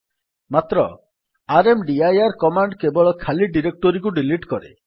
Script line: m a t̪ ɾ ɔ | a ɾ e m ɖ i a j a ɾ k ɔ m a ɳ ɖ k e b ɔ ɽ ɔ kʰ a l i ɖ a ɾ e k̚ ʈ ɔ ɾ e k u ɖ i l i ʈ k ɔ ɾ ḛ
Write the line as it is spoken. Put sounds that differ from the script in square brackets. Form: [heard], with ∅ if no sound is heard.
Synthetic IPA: m a t̪ ɾ ɔ | a ɾ e m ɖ i a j a ɾ k ɔ m a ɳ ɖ k e b ɔ [ɭ] ɔ kʰ a l i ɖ [i] ɾ e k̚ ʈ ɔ ɾ [i] k u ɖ i l i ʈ k ɔ ɾ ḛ